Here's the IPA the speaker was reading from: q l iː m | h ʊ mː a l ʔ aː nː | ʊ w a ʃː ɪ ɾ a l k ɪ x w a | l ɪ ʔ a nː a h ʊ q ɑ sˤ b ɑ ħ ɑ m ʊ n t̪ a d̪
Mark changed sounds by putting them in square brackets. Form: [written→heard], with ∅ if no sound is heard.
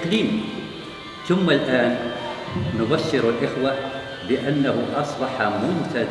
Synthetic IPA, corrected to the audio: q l iː m | [h→θ] ʊ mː a l ʔ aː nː | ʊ [w→b] a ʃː ɪ ɾ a l [k→ʔ] ɪ x w a | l ɪ ʔ a nː a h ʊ [q→ʔ] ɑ sˤ b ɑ ħ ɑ m ʊ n t̪ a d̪

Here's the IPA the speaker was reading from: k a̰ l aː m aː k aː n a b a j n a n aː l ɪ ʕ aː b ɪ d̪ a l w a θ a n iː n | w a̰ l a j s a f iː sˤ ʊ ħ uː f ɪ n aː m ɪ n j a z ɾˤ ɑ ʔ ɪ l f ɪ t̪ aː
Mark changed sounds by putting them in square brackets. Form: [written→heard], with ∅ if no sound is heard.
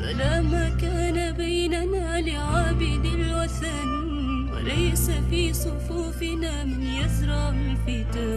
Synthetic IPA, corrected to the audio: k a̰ l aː m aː k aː n a b a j n a n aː l ɪ ʕ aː b ɪ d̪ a l w a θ a n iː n | w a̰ l a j s a f iː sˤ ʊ [ħ→f] uː f ɪ n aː m ɪ n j a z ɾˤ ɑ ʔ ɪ l f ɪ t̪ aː

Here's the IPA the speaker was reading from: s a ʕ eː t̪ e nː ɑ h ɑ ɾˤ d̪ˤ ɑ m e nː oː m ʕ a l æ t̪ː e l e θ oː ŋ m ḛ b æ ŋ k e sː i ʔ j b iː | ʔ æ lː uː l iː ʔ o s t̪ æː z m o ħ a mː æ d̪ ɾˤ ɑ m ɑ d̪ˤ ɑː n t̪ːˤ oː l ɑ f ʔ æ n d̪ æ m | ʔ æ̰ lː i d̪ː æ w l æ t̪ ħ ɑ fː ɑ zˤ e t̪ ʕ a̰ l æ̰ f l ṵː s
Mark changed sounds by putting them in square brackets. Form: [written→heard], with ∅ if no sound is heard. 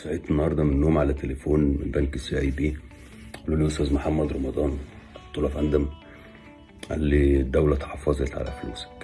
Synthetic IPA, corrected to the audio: s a ʕ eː t̪ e nː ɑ h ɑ ɾˤ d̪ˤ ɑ m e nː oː m ʕ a l æ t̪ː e l e [θ→f] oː [ŋ→n] m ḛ b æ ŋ k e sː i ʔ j b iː | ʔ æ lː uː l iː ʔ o s t̪ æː z m o ħ a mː æ d̪ ɾˤ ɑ m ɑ d̪ˤ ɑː n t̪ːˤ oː l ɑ f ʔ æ n d̪ æ m | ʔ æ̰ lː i d̪ː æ w l æ t̪ ħ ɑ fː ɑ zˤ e t̪ ʕ a̰ l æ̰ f l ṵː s

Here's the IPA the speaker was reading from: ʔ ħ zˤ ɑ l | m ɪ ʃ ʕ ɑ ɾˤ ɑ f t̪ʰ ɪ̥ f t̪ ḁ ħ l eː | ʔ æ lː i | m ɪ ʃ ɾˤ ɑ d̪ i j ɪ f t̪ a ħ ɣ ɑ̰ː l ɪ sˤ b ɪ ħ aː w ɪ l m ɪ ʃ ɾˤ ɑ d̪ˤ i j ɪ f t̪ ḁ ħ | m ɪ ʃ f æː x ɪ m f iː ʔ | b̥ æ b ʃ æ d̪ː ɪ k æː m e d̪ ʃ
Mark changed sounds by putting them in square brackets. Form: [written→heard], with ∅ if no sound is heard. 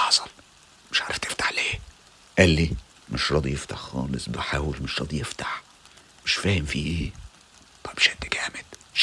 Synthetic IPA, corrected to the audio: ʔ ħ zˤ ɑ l | m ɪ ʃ ʕ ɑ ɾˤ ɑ f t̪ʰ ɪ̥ f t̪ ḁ ħ l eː | ʔ æ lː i | m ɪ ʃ ɾˤ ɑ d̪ i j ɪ f t̪ a ħ [ɣ→x] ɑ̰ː l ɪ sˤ b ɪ ħ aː w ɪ l m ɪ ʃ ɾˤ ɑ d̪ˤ i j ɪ f t̪ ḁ ħ | m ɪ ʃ f æː [x→h] ɪ m f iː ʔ | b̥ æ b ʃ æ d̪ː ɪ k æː m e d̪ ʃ

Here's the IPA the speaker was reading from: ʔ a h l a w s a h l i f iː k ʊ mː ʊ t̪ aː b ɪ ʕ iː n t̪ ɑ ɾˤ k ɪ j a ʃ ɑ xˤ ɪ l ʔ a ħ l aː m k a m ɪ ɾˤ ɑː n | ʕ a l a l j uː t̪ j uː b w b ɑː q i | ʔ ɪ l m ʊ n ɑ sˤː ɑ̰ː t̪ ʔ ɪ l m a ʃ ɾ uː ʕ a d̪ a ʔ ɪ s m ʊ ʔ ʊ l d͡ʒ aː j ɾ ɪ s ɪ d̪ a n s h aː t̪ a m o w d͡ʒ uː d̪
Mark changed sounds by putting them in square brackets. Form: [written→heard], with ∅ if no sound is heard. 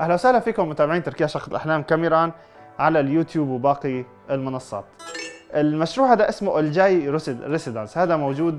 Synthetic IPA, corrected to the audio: ʔ a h l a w s a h l [i→a] f iː k ʊ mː ʊ t̪ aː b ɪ ʕ iː n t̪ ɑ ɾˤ k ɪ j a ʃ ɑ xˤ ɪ l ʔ a ħ l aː m k a m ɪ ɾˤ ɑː n | ʕ a l a l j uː t̪ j uː b w b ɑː q i | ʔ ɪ l m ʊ n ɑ sˤː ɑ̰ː t̪ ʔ ɪ l m a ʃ ɾ uː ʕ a d̪ a ʔ ɪ s m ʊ ʔ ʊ l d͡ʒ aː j ɾ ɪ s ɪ d̪ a n s h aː [t̪→d̪] a m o w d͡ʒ uː d̪

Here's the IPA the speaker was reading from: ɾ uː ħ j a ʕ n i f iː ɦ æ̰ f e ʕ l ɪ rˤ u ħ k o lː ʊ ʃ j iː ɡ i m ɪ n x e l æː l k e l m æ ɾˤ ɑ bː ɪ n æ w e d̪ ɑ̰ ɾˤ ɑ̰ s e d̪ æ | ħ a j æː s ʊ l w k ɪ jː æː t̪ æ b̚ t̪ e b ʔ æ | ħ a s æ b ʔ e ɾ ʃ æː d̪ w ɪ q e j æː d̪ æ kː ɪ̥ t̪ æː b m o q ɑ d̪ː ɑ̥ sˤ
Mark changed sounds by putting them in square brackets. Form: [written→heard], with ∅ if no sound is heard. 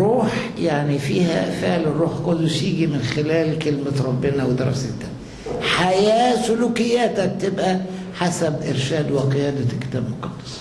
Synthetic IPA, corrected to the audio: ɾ uː ħ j a ʕ n i f iː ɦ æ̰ f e ʕ l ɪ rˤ [u→uː] ħ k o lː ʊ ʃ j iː ɡ i m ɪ n x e l æː l k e l m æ ɾˤ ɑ bː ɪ n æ w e d̪ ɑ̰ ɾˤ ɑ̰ s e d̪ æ | ħ a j æː s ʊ l [w→u] k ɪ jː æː t̪ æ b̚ t̪ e b ʔ æ | ħ a s æ b ʔ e ɾ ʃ æː d̪ w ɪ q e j æː d̪ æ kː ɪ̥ t̪ æː b m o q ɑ d̪ː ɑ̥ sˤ

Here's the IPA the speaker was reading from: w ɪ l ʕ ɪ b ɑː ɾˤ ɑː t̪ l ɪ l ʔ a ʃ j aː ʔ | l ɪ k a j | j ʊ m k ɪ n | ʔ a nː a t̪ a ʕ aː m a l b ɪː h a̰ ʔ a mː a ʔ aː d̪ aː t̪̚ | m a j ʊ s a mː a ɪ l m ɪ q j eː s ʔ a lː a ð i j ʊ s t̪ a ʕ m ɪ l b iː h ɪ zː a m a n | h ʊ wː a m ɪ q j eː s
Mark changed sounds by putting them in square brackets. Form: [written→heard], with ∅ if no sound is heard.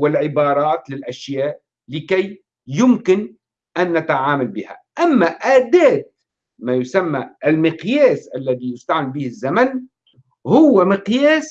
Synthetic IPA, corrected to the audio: w ɪ l ʕ ɪ b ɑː ɾˤ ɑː t̪ l ɪ l ʔ a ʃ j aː ʔ | l ɪ k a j | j ʊ m k ɪ n | ʔ a nː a t̪ a ʕ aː m a l b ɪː h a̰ ʔ a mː a ʔ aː d̪ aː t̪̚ | m a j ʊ s a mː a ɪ l m ɪ q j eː s ʔ a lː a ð i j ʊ s t̪ a ʕ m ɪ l b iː h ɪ zː a m a n | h ʊ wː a m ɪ q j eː s

